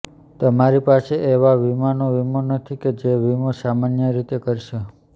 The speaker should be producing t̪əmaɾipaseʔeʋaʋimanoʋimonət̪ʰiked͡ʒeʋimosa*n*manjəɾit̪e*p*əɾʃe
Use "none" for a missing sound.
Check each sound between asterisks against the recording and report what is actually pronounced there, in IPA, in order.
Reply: none, k

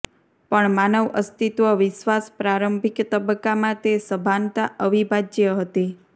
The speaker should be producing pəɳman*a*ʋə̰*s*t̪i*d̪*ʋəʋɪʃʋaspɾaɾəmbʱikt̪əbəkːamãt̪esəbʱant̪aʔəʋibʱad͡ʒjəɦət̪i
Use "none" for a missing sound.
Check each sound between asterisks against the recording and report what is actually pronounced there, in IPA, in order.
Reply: ə, s, t̪

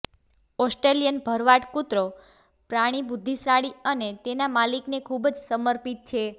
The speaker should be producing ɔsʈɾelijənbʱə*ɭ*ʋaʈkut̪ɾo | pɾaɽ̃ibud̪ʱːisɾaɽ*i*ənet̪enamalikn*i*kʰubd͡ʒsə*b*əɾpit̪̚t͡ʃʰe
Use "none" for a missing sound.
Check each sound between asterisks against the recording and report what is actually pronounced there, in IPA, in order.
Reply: ɾ, i, e, m

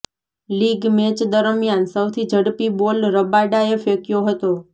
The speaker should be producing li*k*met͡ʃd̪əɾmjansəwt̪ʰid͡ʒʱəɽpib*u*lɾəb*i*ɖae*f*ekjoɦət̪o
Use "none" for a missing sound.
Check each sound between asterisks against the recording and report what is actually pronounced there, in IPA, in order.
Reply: ɡ, o, a, f

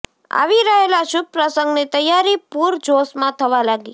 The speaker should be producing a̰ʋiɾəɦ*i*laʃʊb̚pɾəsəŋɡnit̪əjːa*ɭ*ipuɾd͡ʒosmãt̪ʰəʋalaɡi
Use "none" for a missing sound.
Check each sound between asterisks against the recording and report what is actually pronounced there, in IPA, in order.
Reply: e, ɾ

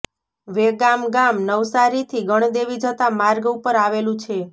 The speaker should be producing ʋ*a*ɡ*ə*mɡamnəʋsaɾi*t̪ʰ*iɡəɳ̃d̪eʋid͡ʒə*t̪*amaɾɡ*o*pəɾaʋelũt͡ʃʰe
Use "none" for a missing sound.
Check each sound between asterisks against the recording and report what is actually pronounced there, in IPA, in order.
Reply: e, a, t̪ʰ, t̪, u

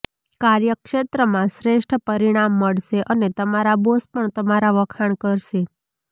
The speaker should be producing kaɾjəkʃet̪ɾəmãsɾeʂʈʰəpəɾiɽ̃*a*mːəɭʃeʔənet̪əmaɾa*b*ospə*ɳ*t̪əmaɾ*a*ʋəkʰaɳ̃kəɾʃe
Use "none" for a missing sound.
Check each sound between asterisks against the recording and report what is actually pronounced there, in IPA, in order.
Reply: a, b, ɳ, a

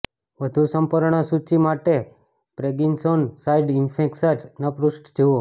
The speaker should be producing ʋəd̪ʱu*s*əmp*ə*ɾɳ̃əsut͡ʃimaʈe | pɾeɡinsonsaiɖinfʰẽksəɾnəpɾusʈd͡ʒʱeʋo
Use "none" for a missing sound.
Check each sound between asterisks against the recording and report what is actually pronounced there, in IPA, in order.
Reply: s, ə

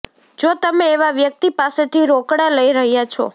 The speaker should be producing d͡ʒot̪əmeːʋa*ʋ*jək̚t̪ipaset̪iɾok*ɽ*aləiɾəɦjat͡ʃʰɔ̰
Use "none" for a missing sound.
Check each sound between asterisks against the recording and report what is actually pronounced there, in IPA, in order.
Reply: ʋ, ɽ

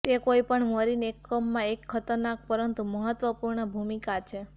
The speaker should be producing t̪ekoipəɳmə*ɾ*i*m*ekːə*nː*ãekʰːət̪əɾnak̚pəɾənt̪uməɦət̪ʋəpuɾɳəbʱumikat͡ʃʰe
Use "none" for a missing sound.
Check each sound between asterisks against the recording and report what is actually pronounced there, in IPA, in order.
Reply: ɾ, n, mː

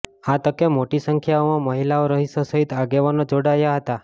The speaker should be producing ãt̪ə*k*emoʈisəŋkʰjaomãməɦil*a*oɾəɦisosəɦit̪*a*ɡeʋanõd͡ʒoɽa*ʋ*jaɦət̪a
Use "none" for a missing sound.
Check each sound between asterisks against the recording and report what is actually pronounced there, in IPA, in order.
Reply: k, a, a, none

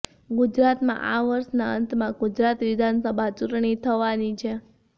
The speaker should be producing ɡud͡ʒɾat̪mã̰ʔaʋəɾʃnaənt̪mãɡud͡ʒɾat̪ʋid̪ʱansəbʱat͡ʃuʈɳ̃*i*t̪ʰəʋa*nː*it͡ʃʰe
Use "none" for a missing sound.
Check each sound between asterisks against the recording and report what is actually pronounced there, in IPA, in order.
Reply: i, n

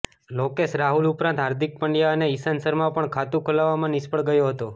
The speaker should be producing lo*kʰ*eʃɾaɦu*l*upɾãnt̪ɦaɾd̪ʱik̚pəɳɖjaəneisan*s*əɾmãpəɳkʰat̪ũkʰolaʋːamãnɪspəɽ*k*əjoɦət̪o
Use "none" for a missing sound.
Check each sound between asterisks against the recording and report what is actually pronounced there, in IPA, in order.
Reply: k, l, s, ɡ

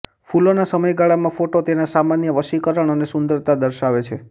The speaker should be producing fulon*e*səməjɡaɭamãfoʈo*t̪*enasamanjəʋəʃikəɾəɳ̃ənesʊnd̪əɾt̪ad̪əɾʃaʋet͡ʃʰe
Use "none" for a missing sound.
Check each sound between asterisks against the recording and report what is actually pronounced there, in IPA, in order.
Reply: a, t̪

